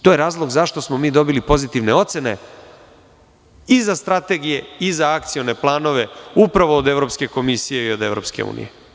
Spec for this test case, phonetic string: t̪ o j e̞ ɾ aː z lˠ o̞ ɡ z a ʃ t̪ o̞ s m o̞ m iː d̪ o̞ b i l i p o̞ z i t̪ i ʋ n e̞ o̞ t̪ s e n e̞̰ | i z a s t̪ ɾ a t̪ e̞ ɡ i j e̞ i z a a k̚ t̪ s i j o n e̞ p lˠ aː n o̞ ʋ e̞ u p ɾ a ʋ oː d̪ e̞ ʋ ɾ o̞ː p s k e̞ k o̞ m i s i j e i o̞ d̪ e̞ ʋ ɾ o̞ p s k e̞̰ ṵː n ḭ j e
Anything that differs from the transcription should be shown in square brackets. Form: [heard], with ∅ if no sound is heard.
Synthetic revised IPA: t̪ o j e̞ ɾ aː z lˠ o̞ ɡ z a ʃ t̪ o̞ s m o̞ m iː d̪ o̞ b i l i p o̞ z i t̪ i ʋ n e̞ o̞ t̪ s e n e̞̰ | i z a s t̪ ɾ a t̪ e̞ ɡ i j e̞ i z a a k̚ t̪ s i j o n e̞ p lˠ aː n o̞ ʋ e̞ u p ɾ a ʋ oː d̪ e̞ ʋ ɾ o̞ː p s k e̞ k o̞ m i s i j e i o̞ d̪ e̞ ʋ ɾ o̞ p s k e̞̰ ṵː n ḭ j e